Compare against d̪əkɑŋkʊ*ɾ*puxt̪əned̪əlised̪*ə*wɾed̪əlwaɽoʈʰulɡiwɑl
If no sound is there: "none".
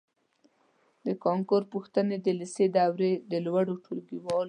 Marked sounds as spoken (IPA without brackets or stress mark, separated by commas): ɾ, a